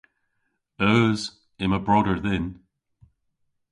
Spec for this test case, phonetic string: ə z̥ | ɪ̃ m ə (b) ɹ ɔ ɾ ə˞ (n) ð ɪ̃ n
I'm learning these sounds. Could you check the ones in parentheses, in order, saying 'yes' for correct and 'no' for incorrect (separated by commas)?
yes, no